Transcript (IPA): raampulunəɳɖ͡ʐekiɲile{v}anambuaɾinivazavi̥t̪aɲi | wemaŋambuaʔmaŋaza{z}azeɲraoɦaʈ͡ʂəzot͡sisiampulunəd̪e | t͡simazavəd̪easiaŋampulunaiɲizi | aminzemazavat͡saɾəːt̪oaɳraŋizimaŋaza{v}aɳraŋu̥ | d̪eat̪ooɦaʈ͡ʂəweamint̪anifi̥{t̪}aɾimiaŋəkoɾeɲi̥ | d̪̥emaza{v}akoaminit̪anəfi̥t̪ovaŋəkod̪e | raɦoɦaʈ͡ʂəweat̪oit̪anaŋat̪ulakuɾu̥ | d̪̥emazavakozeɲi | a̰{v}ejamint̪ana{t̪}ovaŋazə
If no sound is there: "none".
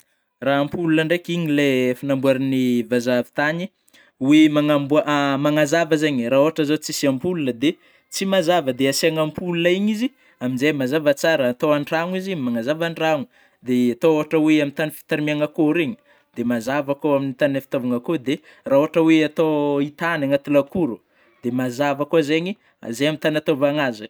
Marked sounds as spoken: f, v, v, t̪, v, z, t̪

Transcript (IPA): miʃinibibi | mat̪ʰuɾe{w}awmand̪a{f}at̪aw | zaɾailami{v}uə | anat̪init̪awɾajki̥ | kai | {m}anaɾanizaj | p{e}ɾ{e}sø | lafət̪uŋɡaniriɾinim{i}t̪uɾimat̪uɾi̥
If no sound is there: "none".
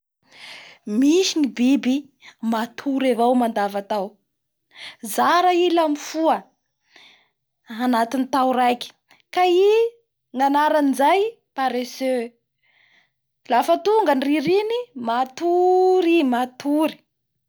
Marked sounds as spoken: v, v, f, ŋ, a, e, a

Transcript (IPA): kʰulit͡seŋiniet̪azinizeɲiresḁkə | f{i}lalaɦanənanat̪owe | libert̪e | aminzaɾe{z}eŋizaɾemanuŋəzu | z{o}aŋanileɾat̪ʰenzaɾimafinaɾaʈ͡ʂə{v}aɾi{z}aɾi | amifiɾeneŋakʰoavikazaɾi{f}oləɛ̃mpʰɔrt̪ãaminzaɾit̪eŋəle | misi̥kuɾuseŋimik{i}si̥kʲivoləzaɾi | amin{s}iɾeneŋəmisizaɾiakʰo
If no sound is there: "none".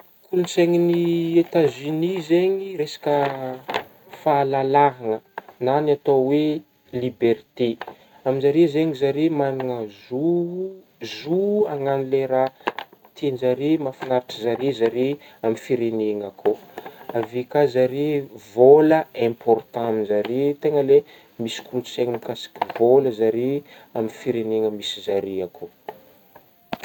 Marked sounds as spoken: a, z, u, z, z, v, a, f

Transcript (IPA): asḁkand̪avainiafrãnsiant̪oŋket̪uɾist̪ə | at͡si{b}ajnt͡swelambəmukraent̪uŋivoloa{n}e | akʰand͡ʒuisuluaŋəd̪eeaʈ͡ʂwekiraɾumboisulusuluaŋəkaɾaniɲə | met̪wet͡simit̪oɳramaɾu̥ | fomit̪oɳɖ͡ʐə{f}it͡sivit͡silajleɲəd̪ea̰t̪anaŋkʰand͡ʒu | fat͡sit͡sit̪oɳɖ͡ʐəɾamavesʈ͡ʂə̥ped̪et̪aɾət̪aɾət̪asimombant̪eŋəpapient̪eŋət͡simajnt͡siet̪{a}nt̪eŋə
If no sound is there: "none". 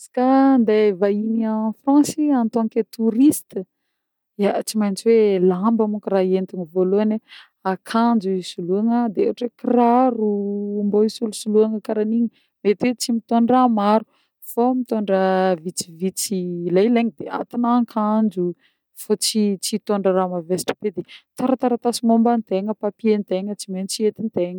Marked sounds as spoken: m, n, v, i

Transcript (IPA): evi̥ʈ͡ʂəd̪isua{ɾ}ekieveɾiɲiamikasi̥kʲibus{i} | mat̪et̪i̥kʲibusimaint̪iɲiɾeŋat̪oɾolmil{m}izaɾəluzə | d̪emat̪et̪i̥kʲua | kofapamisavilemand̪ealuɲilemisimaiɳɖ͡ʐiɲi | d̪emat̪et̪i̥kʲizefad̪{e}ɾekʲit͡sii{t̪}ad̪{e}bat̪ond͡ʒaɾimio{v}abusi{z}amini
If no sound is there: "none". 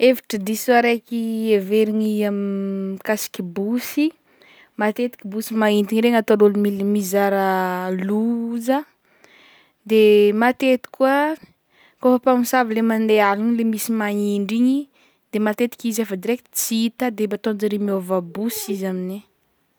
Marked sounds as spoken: ɾ, i, m, i, t̪, e, v, z

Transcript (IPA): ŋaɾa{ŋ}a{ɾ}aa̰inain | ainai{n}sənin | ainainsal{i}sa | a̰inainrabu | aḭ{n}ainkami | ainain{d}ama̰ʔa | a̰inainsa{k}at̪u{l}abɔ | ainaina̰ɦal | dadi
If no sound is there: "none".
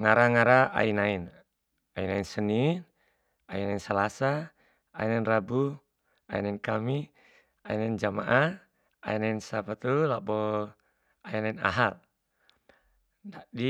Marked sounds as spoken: ŋ, ɾ, n, a, n, d͡ʒ, p, l

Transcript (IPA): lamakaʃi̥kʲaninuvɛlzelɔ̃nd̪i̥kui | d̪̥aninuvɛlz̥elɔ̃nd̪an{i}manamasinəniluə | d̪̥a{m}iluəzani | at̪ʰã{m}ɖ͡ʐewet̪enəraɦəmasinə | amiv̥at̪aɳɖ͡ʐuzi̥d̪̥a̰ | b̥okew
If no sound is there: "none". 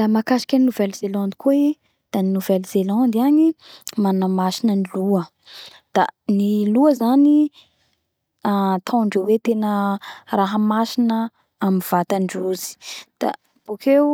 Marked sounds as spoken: i, n, ɳ

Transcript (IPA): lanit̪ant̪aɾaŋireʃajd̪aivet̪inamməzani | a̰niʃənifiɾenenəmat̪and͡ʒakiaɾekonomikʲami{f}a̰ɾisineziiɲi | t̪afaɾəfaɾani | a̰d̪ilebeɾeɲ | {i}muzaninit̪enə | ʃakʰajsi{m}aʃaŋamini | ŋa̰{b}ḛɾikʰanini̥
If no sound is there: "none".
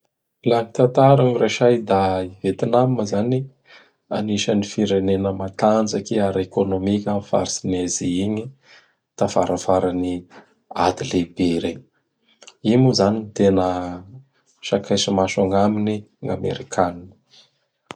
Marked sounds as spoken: f, i, m, m

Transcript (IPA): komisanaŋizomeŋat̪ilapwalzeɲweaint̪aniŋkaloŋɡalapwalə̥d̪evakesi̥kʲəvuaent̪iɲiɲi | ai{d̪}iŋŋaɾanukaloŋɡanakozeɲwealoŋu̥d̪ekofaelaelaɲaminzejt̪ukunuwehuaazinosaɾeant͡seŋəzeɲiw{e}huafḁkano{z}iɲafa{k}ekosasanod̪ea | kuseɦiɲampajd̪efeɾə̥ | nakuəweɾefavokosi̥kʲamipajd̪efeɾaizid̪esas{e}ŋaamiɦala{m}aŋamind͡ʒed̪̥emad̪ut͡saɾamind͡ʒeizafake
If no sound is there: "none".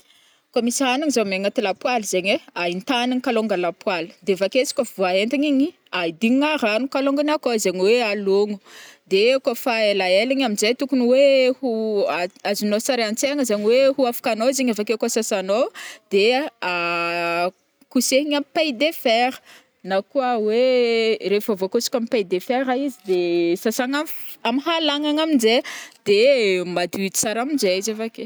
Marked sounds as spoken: d̪, e, z, k, a, ŋ

